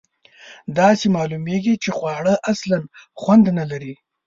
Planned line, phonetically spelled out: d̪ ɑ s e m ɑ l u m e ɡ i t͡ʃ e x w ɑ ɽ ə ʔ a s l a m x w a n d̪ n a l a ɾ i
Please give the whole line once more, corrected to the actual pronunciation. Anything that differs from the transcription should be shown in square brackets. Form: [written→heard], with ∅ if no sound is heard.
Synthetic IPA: d̪ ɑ s e m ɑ l u m e ɡ i t͡ʃ e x w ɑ ɽ ə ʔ a s l a [m→n] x w a n d̪ n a l a ɾ i